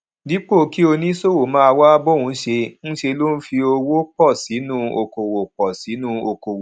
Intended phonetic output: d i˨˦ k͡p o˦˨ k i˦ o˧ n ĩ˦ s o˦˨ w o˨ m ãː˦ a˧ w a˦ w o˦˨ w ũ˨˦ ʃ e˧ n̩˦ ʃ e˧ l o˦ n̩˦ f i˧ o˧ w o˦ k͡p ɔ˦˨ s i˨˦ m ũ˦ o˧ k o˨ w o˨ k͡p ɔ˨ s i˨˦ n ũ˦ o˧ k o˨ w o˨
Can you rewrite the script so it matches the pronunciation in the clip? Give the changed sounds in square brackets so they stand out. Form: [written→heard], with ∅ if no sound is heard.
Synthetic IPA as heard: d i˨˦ k͡p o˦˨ k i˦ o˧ n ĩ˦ s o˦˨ w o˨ m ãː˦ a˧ w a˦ [w→b] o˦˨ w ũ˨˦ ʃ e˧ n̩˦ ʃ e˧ l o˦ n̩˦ f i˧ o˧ w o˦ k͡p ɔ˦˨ s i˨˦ [m→n] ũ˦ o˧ k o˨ w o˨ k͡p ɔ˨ s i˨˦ n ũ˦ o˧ k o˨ w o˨